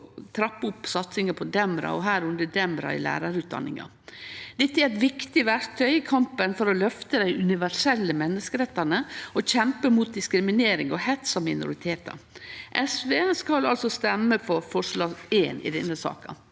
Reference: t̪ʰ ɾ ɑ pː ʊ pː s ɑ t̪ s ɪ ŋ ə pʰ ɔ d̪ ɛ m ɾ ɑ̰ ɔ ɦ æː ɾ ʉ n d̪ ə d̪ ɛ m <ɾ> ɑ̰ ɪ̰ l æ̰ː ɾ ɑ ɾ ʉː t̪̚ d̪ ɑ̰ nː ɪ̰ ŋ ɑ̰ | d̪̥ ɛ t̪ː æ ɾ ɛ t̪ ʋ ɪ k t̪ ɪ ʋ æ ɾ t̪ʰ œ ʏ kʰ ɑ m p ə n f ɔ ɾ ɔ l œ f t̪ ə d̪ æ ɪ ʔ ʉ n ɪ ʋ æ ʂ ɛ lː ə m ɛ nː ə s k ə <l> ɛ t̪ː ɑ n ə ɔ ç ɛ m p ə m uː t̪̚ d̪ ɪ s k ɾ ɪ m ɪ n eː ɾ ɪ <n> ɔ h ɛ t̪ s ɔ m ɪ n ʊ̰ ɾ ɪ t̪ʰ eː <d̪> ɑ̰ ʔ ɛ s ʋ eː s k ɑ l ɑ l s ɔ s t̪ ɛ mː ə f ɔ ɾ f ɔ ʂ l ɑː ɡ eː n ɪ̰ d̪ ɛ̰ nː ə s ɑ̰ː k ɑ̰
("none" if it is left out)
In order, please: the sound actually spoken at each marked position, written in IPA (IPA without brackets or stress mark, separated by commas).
ɾ, ɾ, ŋ, t̪